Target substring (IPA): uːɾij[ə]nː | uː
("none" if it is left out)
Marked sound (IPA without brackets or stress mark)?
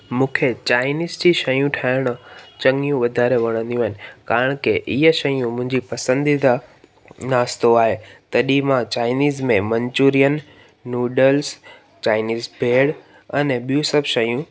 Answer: ə